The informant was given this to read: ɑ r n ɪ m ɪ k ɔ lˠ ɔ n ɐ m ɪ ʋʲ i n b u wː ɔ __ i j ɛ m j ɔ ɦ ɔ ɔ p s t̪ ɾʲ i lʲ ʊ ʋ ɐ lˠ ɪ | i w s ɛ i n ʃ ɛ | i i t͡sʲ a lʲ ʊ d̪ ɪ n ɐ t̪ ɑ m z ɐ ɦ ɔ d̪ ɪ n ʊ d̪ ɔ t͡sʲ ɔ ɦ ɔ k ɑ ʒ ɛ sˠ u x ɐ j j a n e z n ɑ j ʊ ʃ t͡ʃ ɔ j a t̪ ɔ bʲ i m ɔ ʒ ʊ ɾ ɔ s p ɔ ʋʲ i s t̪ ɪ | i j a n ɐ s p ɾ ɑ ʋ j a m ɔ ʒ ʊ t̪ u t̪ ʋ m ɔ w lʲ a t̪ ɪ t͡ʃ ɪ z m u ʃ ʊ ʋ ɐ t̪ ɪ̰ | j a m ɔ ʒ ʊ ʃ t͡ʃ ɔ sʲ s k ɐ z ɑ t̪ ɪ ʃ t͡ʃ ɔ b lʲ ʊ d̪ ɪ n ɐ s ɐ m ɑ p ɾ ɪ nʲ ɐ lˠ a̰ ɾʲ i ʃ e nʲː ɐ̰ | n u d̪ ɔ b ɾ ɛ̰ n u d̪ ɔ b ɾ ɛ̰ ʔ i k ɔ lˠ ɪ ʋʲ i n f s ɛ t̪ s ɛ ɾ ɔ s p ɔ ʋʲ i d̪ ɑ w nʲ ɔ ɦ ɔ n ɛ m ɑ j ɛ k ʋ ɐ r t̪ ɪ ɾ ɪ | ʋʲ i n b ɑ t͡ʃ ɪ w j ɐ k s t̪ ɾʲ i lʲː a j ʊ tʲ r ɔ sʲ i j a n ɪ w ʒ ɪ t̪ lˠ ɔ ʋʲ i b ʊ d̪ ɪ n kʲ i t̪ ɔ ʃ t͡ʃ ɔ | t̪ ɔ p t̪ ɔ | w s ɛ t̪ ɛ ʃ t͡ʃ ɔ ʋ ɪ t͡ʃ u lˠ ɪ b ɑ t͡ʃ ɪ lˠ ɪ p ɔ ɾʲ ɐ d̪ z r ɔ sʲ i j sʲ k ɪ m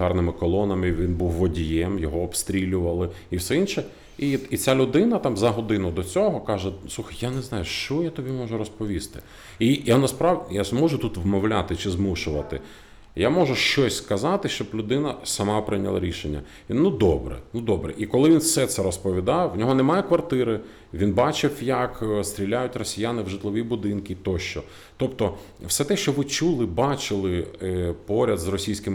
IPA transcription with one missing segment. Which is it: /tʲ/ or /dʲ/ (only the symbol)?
dʲ